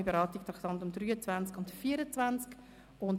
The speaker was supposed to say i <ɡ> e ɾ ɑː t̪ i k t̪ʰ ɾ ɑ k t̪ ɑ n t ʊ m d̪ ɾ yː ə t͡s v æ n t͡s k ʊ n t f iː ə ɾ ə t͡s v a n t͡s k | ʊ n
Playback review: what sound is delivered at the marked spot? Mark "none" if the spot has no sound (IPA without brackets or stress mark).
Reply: b